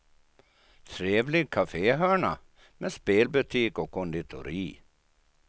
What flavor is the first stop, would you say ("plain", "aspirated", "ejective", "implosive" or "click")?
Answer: aspirated